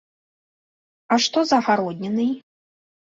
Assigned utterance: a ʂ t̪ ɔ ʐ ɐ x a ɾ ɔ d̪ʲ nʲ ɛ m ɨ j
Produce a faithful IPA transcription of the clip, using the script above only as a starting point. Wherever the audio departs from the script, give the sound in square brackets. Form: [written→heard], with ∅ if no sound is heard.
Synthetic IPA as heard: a ʂ t̪ ɔ [ʐ→z] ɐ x a ɾ ɔ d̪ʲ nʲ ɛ [m→n] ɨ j